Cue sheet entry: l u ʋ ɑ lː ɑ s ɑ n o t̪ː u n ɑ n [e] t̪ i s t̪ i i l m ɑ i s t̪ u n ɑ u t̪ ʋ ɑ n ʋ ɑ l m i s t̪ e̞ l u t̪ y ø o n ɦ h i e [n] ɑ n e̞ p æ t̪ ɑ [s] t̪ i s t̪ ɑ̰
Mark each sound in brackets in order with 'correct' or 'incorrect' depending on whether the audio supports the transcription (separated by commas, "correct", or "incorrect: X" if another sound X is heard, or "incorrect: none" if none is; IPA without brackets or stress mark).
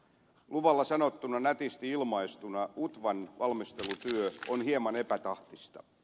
incorrect: æ, incorrect: m, incorrect: h